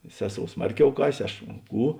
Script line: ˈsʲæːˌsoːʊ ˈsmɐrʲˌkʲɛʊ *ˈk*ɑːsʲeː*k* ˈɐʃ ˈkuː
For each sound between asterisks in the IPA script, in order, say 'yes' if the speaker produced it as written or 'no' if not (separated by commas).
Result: yes, no